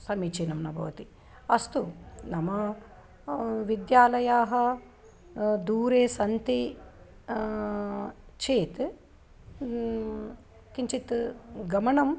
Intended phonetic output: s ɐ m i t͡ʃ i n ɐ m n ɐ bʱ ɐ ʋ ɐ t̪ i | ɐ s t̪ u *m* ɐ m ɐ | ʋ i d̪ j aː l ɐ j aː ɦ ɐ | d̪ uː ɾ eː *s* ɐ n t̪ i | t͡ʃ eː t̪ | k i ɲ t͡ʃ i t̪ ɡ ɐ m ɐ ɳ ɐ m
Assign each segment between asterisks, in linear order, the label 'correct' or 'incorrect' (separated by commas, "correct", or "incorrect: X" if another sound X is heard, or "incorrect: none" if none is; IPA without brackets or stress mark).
incorrect: n, correct